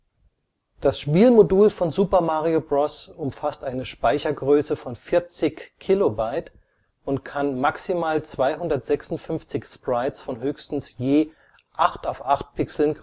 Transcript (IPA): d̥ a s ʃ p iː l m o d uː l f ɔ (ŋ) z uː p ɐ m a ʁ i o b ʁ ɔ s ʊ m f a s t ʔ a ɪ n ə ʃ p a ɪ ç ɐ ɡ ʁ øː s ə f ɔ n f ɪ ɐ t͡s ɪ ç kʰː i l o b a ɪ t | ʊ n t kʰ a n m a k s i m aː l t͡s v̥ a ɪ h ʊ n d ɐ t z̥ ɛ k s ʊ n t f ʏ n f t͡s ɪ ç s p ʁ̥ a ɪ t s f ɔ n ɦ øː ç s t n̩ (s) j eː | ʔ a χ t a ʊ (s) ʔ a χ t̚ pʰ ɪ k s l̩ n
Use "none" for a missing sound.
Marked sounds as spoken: n, s, f

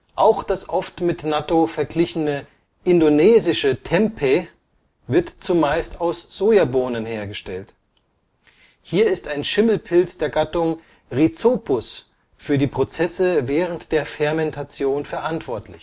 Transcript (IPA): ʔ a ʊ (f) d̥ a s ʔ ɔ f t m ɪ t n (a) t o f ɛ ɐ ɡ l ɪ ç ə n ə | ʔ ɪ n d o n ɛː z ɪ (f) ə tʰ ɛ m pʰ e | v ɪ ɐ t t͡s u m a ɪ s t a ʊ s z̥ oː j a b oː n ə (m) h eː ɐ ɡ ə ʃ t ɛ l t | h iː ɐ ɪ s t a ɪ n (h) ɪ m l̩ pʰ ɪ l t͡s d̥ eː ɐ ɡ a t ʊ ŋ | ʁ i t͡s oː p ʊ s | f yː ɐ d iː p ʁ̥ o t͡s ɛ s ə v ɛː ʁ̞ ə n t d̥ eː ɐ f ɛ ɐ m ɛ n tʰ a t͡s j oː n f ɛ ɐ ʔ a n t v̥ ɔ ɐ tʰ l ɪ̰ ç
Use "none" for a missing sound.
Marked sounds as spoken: x, a, ʃ, n, ʃ

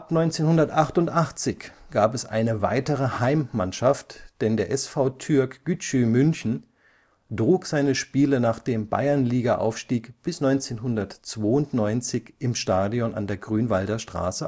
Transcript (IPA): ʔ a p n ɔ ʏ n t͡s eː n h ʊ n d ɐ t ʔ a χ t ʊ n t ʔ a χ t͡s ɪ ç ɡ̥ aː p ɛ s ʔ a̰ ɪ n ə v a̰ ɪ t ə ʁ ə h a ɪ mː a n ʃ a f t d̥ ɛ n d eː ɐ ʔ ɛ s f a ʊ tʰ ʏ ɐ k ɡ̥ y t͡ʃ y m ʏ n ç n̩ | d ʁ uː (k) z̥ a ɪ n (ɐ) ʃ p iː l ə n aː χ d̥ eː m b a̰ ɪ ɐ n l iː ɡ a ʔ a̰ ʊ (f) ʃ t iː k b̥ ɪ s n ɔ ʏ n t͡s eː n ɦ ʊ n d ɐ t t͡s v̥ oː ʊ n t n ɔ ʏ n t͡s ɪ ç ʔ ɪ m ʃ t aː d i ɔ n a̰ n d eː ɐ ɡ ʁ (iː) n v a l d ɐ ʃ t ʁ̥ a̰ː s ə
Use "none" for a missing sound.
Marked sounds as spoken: k, ə, f, yː

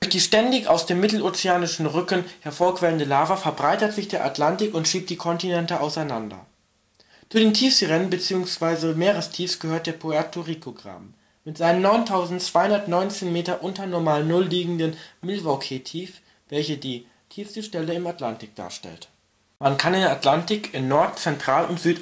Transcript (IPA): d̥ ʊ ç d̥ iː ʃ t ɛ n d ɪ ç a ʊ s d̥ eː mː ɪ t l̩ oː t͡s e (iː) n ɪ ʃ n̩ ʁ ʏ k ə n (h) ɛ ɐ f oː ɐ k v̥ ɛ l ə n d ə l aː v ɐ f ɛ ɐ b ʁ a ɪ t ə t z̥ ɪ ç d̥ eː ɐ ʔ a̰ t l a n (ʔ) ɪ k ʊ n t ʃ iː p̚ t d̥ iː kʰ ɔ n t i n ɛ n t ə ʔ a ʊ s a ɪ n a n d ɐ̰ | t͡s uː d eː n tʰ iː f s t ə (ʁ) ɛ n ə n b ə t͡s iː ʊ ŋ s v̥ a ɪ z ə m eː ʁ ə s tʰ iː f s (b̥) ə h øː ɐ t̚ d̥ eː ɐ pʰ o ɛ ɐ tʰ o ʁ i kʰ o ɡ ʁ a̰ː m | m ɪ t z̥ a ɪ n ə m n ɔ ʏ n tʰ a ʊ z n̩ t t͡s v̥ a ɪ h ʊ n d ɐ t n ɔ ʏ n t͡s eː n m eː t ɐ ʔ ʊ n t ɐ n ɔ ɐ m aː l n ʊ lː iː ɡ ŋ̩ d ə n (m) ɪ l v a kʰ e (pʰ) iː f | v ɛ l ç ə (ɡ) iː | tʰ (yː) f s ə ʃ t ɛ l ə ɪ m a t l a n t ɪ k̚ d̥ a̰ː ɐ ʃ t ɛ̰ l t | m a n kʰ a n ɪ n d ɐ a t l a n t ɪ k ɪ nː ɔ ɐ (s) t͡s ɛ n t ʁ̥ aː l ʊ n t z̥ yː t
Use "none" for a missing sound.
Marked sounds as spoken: aː, h, t, ʁ, ɡ̥, m, tʰ, d, iː, t

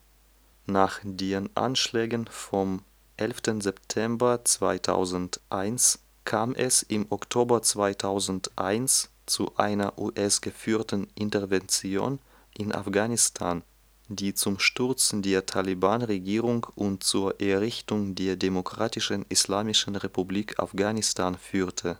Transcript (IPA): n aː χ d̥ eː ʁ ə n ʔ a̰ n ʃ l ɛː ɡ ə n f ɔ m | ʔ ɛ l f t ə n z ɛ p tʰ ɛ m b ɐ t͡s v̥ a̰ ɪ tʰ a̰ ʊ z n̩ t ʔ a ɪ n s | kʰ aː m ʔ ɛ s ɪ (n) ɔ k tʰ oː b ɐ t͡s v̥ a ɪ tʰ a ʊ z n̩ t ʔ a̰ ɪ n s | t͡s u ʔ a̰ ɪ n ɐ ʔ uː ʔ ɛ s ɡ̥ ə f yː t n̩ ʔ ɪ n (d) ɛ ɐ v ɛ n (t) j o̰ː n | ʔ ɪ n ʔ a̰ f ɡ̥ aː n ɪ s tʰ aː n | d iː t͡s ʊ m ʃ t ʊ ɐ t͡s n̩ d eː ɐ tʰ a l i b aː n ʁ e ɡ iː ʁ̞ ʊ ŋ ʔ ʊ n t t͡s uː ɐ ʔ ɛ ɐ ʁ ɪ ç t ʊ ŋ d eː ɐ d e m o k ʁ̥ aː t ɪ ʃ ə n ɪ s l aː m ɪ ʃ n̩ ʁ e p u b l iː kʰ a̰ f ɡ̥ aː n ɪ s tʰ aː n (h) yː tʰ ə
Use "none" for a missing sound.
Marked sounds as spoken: m, t, t͡s, f

